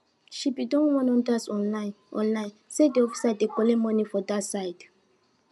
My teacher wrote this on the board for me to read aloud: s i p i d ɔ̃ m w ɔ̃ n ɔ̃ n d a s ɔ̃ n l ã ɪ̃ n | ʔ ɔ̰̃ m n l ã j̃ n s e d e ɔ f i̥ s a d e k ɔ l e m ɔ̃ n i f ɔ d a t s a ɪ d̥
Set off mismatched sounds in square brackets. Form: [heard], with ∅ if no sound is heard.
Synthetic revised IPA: [ʃ] i p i d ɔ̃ [n] w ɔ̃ n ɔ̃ n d a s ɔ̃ n l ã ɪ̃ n | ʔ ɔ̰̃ [∅] n l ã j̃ n s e d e ɔ f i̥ s a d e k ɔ l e m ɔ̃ n i f ɔ d a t s a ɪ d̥